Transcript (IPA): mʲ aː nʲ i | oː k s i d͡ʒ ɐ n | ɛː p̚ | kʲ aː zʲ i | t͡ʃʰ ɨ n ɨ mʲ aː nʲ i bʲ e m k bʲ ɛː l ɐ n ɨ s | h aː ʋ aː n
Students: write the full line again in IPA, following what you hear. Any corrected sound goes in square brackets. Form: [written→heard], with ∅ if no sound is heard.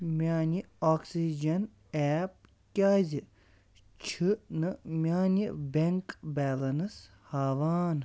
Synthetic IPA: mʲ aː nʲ i | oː k s i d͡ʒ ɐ n | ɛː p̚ | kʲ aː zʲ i | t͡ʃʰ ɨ n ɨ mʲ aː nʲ i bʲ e [m→ŋ] k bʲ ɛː l ɐ n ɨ s | h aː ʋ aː n